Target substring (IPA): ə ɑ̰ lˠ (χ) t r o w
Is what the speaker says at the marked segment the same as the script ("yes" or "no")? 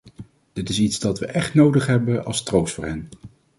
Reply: no